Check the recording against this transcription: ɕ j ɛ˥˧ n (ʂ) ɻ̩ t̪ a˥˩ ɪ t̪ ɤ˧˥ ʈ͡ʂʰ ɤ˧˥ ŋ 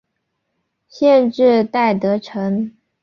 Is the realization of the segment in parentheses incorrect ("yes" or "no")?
yes